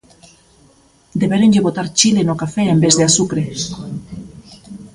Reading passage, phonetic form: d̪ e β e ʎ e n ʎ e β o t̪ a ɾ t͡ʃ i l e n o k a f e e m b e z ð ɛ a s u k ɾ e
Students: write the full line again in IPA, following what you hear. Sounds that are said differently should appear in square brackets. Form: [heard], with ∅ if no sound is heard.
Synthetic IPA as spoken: d̪ e β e [ɾ] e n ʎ e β o t̪ a ɾ t͡ʃ i l e n o k a f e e m b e z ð [e] a s u k ɾ e